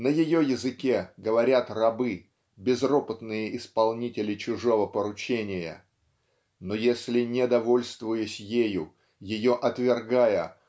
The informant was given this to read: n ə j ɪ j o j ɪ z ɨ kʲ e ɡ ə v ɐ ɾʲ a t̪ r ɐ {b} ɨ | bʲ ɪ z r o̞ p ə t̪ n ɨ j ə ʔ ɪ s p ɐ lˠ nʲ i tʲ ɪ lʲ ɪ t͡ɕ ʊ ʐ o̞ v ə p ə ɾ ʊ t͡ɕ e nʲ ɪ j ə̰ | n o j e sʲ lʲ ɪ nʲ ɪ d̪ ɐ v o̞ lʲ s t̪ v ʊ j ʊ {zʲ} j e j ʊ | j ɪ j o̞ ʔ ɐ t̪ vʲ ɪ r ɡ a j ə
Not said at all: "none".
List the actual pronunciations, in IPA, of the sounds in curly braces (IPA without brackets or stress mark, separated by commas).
b, sʲ